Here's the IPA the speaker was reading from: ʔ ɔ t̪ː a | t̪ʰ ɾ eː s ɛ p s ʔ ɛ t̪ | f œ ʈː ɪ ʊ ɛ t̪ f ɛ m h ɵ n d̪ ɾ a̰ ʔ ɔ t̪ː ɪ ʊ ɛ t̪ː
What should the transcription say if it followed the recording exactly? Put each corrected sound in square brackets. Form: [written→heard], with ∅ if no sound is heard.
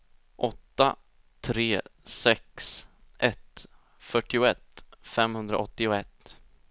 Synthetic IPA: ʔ ɔ t̪ː a | t̪ʰ ɾ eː s ɛ [p→k] s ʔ ɛ t̪ | f œ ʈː ɪ ʊ ɛ t̪ f ɛ m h ɵ n d̪ ɾ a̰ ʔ ɔ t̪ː ɪ ʊ ɛ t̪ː